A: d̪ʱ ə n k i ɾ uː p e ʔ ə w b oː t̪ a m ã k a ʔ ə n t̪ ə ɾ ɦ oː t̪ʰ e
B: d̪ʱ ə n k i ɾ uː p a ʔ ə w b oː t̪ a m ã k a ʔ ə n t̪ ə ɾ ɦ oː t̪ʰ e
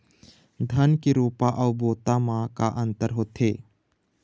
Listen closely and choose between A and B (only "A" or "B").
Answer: B